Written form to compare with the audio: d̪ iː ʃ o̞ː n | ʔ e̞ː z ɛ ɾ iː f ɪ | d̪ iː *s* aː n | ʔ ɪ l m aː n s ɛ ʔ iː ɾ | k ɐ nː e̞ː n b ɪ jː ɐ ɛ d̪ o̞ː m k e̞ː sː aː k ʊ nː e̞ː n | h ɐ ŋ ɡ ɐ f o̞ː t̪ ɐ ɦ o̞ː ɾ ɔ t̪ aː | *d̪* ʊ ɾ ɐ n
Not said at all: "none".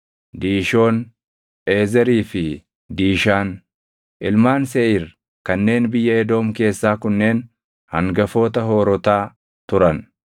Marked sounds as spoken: ʃ, t̪

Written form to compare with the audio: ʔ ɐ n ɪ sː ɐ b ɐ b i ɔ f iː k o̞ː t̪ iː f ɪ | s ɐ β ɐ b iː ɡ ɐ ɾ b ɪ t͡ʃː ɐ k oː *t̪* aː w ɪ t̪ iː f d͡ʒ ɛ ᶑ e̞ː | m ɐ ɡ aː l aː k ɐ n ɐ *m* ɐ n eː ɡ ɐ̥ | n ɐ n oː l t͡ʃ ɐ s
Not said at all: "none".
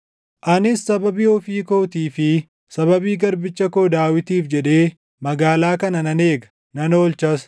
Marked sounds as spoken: d̪, n

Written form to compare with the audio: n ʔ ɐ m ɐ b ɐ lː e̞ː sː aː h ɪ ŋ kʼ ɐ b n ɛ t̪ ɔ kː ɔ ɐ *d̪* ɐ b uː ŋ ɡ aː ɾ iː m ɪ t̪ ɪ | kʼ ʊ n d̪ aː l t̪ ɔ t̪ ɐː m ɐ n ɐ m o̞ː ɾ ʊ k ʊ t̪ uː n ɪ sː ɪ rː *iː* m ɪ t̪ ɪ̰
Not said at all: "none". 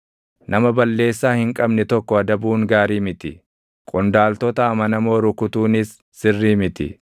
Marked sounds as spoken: d̪, iː

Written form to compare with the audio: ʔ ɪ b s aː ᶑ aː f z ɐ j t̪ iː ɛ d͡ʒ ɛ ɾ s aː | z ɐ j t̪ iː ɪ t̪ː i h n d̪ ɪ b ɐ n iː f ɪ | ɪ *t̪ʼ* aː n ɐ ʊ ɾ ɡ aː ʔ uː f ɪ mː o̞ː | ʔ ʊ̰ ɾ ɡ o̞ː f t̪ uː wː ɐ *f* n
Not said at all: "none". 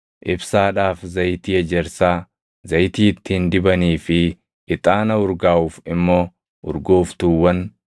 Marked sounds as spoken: t̪ʼ, none

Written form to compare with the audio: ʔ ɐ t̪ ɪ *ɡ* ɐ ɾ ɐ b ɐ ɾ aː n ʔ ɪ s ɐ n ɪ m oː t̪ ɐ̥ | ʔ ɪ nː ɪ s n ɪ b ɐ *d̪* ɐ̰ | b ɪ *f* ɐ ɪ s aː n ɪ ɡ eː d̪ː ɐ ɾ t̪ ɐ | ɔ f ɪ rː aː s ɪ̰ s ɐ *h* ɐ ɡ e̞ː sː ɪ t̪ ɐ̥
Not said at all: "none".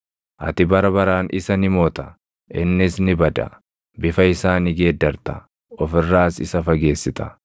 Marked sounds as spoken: b, d̪, f, f

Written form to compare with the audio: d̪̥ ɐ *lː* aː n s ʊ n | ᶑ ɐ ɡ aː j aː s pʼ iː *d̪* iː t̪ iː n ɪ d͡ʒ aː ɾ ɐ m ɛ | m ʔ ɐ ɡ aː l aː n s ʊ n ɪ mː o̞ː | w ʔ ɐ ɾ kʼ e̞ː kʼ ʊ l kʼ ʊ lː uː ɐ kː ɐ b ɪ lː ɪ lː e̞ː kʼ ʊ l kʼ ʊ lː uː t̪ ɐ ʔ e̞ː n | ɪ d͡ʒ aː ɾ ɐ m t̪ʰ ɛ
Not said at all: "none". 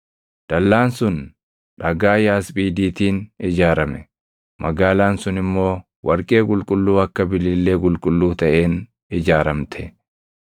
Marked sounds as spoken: lː, d̪

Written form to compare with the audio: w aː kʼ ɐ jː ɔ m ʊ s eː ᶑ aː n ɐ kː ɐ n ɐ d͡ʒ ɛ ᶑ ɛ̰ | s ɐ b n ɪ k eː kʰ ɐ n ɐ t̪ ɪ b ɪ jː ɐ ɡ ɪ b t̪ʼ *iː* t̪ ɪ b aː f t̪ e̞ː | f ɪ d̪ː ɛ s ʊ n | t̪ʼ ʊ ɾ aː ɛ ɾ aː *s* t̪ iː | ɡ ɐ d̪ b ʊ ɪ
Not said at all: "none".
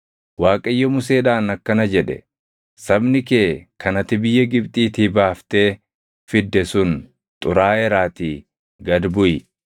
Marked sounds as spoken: iː, none

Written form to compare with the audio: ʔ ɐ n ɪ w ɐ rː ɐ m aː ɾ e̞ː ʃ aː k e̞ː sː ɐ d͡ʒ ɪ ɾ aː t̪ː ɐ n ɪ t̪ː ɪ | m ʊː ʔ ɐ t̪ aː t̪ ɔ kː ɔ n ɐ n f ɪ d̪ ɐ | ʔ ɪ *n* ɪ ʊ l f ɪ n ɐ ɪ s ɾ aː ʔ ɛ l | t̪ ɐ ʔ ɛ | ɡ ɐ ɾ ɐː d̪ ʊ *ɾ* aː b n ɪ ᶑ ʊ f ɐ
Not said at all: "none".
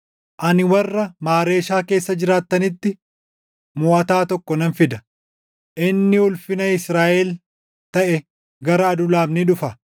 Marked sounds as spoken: nː, l

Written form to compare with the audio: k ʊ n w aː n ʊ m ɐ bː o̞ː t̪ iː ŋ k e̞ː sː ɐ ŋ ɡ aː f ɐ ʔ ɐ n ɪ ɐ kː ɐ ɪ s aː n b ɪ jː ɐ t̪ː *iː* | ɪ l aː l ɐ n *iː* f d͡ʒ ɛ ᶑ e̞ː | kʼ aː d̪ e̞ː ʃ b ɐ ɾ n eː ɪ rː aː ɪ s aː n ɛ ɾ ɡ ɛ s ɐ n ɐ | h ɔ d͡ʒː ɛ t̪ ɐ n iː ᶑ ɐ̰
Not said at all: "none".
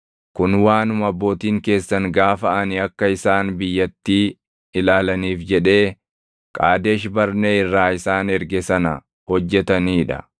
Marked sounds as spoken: iː, iː

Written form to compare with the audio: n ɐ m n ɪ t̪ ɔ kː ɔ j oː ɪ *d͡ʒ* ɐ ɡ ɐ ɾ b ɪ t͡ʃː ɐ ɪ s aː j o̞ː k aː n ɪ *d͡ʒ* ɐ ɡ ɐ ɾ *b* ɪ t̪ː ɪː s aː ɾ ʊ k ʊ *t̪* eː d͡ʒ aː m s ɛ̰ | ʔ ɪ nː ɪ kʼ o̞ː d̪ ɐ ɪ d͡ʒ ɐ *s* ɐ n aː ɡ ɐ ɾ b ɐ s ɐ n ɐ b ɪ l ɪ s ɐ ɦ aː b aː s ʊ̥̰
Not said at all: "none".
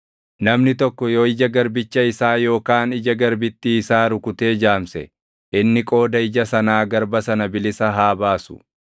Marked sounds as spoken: d͡ʒ, d͡ʒ, b, t̪, s

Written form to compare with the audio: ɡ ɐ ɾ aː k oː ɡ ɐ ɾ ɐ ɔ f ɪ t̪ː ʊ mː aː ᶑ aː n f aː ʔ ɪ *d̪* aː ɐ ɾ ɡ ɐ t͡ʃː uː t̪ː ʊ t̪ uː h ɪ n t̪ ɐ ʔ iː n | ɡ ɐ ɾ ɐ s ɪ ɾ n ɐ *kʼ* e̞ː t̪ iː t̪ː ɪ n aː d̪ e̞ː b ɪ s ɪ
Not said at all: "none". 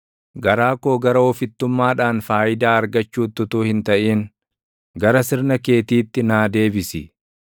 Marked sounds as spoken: d̪, k

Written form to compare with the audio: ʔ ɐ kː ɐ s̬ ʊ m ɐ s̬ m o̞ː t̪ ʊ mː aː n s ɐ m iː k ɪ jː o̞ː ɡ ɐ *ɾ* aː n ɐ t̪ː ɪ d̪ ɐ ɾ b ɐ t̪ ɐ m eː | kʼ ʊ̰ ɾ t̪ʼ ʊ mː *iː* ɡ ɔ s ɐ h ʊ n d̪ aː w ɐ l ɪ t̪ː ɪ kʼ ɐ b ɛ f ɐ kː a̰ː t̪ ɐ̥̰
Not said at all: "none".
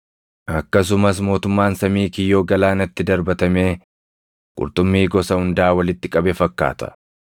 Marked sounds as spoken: l, iː

